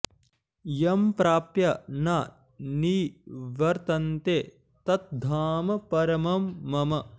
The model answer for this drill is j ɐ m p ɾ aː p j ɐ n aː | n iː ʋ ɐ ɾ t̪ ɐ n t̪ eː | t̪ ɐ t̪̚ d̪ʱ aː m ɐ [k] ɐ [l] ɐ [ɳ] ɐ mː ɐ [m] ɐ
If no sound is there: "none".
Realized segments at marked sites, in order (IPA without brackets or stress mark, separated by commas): p, ɾ, m, m